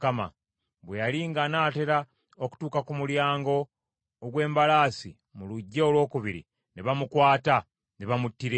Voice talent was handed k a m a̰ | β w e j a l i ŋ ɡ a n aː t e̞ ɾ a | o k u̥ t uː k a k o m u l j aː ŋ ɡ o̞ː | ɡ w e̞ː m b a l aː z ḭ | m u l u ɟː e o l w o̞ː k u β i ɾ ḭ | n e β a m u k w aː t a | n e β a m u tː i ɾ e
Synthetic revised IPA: k a m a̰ | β w e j a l i ŋ ɡ a n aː t e̞ ɾ a | o k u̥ t uː k a k u m u l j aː ŋ ɡ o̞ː | ɡ w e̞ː m b a l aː s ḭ | m u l u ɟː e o l w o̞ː k u β i ɾ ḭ | n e β a m u k w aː t a | n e β a m u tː i ɾ e